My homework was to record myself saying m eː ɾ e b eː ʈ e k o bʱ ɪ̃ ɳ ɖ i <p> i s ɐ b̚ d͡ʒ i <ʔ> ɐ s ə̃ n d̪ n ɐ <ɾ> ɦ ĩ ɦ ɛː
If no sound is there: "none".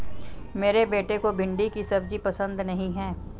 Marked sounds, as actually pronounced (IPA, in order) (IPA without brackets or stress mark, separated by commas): k, p, none